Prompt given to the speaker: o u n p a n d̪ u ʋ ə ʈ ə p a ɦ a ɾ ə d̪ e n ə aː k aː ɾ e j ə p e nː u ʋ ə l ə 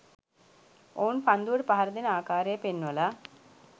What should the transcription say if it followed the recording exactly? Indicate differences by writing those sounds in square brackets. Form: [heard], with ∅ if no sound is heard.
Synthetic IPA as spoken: o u n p a n d̪ u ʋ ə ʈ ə p a ɦ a ɾ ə d̪ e n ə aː k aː ɾ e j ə p e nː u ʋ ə l [a]